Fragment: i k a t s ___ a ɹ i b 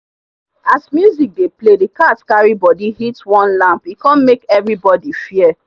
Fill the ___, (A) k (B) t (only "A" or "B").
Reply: A